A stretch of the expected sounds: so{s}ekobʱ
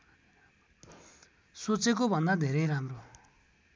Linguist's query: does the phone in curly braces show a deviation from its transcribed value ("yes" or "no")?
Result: yes